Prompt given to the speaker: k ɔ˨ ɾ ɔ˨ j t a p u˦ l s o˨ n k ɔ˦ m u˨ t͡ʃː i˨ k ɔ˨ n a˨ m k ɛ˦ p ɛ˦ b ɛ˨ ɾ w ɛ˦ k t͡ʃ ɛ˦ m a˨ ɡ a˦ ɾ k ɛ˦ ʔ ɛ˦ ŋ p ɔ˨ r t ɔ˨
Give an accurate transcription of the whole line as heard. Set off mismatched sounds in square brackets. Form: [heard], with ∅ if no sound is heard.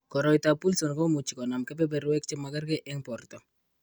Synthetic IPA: k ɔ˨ ɾ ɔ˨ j t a p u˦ l s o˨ n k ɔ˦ m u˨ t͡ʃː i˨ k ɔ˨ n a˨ m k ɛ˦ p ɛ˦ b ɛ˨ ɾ w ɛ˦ k t͡ʃ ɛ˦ m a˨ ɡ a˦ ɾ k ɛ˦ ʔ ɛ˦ ŋ p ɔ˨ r t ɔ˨